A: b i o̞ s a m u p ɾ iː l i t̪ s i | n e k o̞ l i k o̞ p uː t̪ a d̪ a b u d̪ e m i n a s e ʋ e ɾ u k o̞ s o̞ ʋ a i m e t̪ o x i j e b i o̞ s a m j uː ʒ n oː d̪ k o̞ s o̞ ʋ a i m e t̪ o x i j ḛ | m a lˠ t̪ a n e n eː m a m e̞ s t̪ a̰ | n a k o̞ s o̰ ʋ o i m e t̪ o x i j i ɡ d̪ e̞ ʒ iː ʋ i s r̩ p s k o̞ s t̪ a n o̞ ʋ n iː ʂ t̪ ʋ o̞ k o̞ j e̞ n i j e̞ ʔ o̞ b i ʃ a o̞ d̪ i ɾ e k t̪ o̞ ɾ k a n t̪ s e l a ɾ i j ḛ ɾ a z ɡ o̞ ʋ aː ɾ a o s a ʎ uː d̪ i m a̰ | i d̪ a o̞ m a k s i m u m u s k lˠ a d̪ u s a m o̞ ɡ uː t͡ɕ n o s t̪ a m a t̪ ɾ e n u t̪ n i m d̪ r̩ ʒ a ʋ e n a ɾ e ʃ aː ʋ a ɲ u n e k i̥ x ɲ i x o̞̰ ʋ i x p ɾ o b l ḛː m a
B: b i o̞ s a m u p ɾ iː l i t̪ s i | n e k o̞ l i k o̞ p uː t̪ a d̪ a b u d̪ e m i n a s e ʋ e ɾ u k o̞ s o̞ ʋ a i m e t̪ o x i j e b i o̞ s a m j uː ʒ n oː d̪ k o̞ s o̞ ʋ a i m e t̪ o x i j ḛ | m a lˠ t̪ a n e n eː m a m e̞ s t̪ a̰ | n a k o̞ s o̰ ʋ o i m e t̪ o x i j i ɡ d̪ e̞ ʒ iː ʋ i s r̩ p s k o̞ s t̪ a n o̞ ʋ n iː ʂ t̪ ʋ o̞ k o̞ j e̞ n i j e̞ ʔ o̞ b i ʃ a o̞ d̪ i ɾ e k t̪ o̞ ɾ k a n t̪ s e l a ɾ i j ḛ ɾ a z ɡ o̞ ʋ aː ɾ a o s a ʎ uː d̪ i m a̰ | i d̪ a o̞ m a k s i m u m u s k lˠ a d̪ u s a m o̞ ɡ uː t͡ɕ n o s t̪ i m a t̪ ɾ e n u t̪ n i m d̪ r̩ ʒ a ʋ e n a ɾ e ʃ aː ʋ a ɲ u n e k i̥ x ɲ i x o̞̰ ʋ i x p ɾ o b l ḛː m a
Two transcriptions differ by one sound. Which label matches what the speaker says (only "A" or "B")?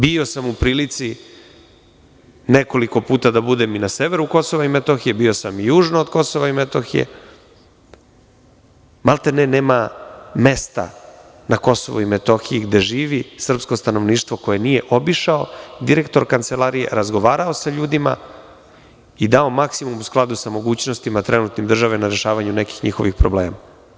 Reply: B